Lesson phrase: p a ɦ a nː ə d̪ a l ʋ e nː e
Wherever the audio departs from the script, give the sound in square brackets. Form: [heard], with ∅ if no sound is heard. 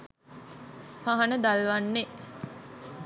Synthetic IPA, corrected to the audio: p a ɦ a [n] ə d̪ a l ʋ [a] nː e